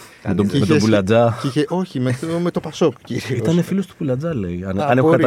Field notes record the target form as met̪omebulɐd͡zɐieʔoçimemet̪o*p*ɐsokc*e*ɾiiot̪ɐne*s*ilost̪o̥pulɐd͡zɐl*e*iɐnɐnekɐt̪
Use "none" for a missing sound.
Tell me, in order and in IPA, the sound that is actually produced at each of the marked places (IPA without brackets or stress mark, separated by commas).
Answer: p, i, f, e